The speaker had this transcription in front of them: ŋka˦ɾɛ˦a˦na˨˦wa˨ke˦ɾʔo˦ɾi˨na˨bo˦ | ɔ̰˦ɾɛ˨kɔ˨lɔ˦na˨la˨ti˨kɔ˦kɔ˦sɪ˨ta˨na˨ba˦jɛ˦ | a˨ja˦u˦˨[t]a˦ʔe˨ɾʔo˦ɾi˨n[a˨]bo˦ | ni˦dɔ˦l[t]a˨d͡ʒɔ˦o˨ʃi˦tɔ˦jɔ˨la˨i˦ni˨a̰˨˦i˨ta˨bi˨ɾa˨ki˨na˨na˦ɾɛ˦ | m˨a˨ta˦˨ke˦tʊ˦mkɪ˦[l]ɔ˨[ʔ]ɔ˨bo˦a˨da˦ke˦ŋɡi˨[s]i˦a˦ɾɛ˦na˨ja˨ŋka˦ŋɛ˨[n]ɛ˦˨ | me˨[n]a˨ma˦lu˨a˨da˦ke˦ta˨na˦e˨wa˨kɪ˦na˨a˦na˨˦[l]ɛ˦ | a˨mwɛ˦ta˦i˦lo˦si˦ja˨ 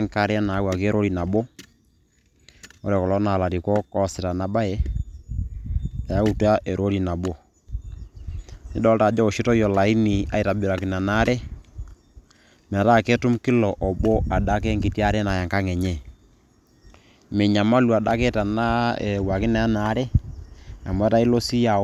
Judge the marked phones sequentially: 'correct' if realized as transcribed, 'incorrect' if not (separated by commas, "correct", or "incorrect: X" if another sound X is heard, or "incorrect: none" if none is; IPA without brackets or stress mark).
correct, correct, correct, correct, correct, incorrect: t, incorrect: ɲ, incorrect: ɲ, incorrect: ɾ